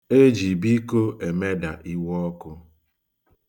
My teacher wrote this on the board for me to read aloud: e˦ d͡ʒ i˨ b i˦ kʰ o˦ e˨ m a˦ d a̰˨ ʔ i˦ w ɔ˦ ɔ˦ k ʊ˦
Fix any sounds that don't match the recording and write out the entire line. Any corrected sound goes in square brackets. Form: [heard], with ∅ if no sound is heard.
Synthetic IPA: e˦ d͡ʒ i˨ b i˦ [k] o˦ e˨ m [e˦] d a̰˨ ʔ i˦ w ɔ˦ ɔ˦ k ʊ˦